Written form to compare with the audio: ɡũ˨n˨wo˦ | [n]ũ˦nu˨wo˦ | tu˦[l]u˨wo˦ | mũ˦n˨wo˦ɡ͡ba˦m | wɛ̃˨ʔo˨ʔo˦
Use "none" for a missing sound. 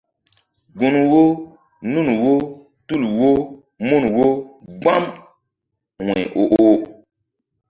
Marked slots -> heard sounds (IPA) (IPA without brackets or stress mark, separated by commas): n, l